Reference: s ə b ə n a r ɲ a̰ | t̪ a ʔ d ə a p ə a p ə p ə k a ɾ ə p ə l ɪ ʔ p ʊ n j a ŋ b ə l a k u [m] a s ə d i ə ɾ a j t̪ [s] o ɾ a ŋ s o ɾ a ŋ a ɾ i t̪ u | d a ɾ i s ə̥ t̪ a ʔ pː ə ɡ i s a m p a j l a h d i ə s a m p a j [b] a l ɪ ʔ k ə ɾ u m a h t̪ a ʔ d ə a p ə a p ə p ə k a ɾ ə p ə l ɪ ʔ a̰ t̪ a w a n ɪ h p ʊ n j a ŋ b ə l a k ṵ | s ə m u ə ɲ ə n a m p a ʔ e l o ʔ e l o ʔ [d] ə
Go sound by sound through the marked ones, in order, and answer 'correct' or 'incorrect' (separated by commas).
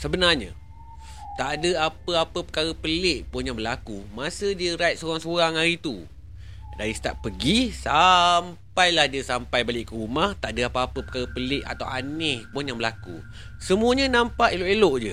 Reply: correct, correct, correct, incorrect